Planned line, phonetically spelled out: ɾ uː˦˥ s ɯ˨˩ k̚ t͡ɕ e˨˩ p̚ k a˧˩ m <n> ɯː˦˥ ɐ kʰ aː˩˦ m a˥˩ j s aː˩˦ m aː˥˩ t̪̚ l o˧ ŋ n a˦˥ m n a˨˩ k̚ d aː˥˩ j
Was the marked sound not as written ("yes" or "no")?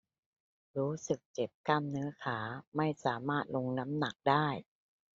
no